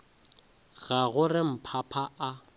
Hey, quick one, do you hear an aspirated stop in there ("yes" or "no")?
yes